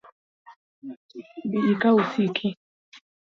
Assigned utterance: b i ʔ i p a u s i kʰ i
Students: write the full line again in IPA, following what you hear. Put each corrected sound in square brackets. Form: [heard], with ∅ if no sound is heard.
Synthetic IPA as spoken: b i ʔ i [k] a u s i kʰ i